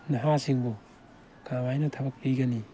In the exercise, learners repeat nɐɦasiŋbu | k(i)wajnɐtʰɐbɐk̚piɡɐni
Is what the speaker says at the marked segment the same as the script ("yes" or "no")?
no